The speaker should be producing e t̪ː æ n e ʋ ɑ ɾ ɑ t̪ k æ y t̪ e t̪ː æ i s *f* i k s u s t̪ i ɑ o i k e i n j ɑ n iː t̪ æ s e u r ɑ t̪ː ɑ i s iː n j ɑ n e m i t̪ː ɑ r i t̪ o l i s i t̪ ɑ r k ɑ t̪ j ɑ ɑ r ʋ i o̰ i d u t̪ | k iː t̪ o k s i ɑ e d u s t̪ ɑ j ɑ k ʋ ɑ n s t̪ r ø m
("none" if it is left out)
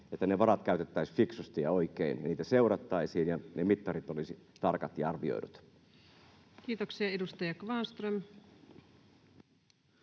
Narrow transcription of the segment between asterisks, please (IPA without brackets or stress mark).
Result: f